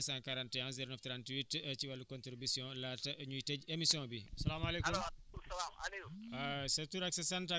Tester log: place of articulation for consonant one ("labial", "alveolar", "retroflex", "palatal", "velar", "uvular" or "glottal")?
alveolar